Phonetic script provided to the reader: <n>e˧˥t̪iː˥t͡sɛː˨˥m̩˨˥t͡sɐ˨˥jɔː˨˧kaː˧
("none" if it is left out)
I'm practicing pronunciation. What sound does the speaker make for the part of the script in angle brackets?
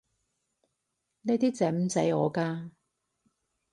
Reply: n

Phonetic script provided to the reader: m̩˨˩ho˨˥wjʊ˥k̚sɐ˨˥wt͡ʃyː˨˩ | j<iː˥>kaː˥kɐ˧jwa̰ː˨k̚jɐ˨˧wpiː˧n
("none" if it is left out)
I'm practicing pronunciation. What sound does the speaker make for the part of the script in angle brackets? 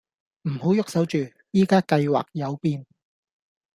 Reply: iː˥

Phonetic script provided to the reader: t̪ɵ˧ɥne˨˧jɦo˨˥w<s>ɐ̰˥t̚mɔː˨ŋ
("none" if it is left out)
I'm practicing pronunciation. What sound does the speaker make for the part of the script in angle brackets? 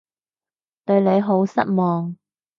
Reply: s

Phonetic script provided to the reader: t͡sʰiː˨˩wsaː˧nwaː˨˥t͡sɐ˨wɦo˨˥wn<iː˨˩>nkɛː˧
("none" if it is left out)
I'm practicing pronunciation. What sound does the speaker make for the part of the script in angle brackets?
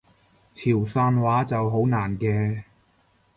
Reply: aː˨˩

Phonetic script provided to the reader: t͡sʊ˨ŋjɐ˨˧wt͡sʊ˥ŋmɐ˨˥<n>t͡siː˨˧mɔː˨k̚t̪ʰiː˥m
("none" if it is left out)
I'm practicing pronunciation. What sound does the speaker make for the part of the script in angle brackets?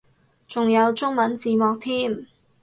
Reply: n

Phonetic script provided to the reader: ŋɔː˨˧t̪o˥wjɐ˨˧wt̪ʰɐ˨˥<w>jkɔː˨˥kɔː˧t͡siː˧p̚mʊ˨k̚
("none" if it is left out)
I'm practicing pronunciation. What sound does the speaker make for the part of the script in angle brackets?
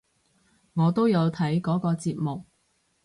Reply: none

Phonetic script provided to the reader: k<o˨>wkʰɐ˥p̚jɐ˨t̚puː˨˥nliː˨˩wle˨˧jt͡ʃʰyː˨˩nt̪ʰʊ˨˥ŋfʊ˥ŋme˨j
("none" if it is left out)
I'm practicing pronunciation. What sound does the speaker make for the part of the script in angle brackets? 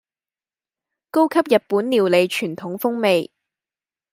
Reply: o˥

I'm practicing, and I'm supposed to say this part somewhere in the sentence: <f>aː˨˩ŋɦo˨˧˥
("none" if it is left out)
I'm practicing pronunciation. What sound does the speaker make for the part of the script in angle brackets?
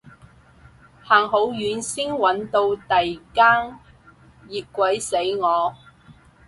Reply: h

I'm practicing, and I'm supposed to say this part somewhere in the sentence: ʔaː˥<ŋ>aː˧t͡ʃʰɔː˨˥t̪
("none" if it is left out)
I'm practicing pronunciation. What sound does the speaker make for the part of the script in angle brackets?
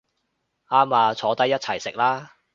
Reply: m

